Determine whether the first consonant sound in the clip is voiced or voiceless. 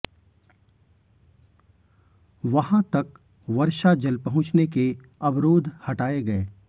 voiced